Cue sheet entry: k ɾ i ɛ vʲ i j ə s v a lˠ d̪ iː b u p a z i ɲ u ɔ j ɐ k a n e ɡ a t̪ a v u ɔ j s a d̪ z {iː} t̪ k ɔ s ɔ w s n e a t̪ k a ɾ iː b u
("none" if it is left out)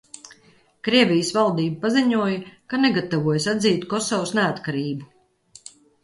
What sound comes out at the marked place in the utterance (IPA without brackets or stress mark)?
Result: iː